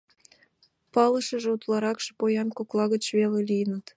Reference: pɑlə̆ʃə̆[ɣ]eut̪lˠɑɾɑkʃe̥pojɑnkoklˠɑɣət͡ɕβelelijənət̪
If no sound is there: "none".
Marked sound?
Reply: ʒ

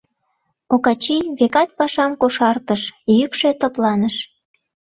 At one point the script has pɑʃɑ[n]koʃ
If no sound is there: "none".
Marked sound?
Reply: m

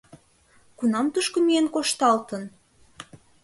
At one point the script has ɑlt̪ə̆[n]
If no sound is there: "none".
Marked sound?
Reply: n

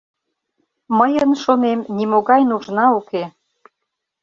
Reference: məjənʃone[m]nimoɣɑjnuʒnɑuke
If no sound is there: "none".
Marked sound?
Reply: m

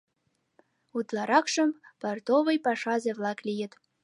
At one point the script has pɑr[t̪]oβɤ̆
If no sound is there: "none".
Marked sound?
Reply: t̪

